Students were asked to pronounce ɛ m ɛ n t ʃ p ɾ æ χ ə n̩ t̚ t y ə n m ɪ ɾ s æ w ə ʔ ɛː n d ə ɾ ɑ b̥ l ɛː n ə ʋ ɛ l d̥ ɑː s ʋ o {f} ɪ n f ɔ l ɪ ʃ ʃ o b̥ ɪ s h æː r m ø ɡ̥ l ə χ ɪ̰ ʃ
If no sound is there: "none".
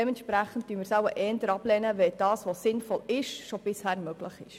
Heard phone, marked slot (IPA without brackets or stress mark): s